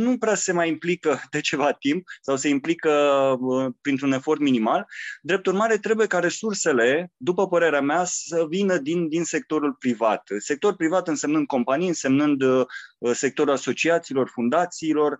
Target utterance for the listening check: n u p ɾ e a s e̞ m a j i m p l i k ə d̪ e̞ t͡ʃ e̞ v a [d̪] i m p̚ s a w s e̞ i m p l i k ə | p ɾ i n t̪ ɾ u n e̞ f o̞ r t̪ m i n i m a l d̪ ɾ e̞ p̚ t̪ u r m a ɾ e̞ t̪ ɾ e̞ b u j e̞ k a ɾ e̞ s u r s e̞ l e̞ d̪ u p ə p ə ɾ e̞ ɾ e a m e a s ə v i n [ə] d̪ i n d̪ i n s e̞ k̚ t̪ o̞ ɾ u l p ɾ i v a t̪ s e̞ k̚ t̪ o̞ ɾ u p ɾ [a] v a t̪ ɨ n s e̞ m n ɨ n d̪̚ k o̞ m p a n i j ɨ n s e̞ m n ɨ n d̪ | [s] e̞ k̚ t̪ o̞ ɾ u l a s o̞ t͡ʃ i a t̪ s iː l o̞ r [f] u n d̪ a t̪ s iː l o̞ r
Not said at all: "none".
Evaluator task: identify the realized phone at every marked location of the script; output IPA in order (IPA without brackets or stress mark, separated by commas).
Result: t̪, ə, i, s, f